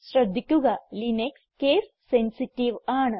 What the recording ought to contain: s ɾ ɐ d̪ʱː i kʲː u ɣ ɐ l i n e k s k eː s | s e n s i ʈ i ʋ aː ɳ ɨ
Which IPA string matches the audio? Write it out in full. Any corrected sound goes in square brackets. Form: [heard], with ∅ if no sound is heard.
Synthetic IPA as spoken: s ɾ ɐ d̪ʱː i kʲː u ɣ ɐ l i n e k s k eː s | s e n s i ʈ i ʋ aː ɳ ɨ